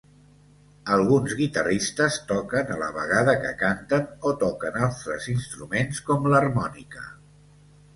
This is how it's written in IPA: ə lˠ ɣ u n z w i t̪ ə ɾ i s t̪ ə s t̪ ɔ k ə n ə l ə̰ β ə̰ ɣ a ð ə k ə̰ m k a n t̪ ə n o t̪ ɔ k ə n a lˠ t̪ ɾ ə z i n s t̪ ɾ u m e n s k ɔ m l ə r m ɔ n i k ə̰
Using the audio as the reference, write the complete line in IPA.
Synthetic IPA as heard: ə lˠ ɣ u n z ɣ i t̪ ə r i s t̪ ə s t̪ ɔ k ə n ə l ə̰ β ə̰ ɣ a ð ə k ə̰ k a n t̪ ə n o t̪ ɔ k ə n a lˠ t̪ ɾ ə z i n s t̪ ɾ u m e n s k ɔ m l ə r m ɔ n i k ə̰